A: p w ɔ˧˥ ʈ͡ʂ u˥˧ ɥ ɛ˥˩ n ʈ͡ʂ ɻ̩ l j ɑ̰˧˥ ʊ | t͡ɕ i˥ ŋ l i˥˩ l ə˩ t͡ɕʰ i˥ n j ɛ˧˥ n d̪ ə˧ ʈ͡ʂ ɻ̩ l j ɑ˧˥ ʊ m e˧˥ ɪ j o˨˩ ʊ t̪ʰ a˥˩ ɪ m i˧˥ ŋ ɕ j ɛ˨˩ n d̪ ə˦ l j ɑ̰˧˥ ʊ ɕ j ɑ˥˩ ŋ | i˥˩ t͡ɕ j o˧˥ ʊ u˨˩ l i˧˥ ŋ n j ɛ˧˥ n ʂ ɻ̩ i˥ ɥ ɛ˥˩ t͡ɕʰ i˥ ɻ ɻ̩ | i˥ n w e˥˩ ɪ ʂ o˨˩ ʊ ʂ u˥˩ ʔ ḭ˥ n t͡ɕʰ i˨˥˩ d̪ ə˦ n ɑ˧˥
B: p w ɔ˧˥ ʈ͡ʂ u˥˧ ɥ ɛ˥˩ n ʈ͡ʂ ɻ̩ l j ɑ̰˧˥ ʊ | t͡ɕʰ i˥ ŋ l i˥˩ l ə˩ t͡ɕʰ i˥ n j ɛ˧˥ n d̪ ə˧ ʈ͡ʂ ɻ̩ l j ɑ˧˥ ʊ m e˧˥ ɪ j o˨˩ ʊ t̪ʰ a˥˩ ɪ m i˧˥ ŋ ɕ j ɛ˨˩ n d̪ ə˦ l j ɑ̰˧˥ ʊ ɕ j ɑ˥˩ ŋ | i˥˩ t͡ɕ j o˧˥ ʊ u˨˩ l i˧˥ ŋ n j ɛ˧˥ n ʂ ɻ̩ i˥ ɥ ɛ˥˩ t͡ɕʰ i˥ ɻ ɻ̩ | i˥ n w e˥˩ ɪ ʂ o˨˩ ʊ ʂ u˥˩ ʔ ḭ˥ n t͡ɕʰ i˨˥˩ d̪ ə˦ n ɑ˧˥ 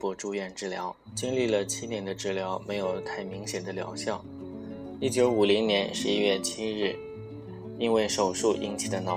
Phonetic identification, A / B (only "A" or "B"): A